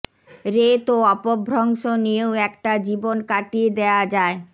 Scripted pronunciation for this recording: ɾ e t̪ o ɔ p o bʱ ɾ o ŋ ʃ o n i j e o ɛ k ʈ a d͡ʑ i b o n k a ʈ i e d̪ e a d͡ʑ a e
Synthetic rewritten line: ɾ e t̪ o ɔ p o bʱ ɾ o ŋ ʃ o n i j e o ɛ k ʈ a d͡ʑ i b o n k a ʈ i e d̪ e a d͡ʑ a e